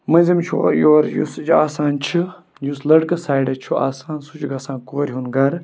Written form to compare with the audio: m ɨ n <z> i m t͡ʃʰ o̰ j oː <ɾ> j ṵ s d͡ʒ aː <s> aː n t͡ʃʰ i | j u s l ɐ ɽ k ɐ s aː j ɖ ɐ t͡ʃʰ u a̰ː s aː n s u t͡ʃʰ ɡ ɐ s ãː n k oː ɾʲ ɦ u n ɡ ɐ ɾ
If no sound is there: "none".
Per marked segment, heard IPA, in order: z, ɾ, s

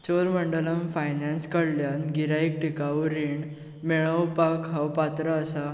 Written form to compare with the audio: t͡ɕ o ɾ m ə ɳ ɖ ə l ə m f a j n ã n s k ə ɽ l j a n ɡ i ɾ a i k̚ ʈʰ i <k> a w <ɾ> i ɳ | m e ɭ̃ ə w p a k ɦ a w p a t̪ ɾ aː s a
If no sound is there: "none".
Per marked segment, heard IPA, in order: k, ɾ

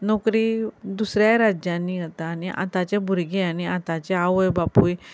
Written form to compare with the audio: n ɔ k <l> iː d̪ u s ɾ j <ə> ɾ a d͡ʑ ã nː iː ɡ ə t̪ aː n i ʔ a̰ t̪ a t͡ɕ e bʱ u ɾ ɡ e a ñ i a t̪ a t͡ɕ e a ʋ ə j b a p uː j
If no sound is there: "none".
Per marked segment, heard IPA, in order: ɾ, a

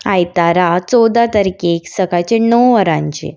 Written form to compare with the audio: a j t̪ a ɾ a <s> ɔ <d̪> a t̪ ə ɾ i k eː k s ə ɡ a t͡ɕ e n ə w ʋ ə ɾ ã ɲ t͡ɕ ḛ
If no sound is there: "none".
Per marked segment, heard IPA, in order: t͡s, d̪

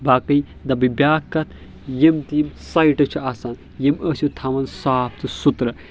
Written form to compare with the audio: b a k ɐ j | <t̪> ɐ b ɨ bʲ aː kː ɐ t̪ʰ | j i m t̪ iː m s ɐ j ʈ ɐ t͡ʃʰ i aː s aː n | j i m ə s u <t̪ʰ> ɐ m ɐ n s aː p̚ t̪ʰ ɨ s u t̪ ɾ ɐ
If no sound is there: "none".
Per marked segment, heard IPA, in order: d̪, t̪ʰ

